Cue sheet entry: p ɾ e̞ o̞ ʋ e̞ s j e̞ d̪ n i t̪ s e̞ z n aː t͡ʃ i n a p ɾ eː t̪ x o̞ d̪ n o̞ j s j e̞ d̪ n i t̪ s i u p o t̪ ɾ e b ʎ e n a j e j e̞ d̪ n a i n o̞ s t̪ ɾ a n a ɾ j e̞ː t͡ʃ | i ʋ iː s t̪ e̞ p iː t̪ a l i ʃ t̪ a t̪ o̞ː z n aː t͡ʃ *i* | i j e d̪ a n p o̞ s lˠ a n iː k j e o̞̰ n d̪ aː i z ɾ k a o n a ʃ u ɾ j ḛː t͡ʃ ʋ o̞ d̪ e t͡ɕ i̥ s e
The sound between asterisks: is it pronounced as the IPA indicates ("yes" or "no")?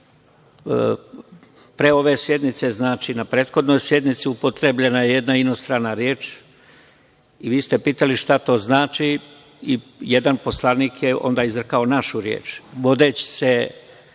yes